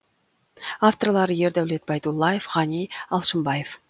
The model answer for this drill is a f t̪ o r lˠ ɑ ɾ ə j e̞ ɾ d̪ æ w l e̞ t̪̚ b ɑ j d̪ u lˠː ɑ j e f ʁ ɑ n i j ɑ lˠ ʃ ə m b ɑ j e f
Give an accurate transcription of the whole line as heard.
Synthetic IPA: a f t̪ o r lˠ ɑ ɾ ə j e̞ ɾ d̪ æ w l e̞ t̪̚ b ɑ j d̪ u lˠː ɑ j e f ʁ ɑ n i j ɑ lˠ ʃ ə m b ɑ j e f